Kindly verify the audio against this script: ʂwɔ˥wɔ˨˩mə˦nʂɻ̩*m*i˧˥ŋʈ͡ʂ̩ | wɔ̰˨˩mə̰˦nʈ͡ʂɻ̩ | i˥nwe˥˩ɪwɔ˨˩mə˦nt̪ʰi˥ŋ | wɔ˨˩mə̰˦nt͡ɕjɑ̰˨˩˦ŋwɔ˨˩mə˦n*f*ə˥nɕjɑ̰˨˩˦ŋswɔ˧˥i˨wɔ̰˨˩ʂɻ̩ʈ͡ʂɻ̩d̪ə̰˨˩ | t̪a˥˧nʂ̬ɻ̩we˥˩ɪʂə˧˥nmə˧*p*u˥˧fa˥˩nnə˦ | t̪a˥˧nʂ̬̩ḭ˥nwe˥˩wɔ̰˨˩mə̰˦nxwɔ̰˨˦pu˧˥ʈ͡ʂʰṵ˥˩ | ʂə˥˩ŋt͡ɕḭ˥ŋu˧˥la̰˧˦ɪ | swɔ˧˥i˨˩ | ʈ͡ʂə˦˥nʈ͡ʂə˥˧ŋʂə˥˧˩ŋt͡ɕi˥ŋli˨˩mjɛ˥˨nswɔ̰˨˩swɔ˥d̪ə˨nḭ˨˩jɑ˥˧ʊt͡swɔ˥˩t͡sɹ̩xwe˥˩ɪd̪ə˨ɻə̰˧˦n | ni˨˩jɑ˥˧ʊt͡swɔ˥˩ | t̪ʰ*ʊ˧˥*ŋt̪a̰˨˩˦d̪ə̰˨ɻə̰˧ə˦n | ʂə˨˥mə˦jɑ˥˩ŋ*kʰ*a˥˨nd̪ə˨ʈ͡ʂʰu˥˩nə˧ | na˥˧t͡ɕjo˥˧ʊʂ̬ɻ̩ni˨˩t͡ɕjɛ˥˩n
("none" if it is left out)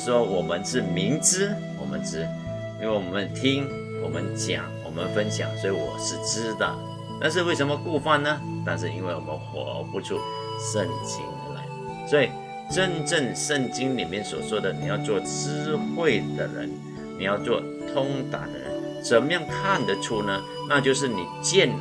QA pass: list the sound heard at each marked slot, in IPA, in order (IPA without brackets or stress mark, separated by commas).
m, f, k, ʊ˥, kʰ